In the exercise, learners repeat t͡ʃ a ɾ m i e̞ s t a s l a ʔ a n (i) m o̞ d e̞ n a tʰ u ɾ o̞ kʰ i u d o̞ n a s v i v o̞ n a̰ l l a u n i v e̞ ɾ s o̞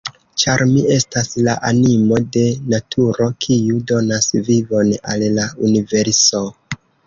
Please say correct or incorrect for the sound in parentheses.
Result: correct